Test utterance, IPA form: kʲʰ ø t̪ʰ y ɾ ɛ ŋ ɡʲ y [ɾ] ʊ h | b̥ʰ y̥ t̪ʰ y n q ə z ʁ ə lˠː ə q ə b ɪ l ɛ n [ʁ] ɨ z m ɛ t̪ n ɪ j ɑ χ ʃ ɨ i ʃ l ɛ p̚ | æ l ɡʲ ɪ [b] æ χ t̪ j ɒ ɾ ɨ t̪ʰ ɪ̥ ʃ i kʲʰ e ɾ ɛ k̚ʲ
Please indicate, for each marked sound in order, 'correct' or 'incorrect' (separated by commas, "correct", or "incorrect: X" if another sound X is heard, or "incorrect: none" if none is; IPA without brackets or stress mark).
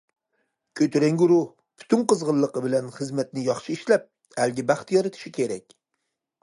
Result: correct, incorrect: χ, correct